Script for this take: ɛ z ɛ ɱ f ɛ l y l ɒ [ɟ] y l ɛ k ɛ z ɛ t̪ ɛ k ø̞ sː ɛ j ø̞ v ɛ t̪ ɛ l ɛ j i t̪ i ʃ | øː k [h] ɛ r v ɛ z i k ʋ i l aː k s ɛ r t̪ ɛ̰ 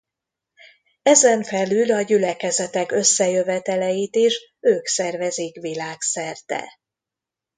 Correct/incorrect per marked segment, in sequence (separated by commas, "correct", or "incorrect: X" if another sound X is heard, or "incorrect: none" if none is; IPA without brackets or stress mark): correct, incorrect: s